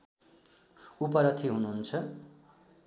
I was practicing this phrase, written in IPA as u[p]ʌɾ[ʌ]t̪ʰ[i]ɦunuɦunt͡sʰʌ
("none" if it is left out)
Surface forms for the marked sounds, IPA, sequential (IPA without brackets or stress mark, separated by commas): p, ʌ, i